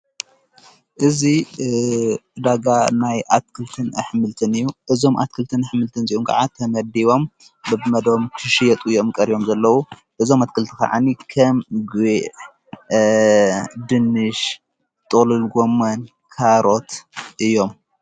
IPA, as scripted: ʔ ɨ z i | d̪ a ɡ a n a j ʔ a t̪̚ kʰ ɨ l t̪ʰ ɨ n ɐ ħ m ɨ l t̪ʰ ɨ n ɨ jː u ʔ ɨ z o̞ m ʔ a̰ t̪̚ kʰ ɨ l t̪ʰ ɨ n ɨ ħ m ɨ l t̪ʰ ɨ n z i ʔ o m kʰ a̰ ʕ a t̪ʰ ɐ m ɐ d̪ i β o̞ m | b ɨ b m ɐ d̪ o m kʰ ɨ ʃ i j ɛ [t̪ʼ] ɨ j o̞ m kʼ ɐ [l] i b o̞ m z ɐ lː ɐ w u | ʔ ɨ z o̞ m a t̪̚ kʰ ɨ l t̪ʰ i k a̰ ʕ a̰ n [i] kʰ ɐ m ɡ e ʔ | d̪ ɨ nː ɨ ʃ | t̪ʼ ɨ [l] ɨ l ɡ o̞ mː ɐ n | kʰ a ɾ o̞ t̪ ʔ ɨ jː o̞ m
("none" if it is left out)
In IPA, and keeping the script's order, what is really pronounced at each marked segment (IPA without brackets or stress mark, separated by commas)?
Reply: t̪ʼ, ɾ, i, l